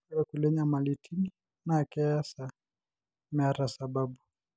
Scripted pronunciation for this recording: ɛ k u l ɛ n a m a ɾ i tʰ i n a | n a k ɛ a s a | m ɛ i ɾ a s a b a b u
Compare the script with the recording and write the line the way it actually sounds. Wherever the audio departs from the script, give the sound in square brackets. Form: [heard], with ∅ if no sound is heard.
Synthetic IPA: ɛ k u l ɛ [ɲ] a m a [l] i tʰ i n [i] | n a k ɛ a s a | m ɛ [a] ɾ a s a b a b u